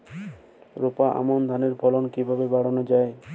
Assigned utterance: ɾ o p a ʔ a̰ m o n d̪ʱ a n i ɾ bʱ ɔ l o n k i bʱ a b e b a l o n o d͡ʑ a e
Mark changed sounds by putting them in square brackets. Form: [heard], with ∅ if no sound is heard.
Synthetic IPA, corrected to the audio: ɾ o p a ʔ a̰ m o n d̪ʱ a n [e] ɾ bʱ ɔ l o n k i bʱ a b e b a [ɽ] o n o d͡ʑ a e